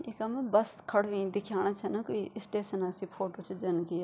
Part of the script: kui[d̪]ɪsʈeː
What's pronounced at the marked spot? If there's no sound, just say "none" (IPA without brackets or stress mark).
none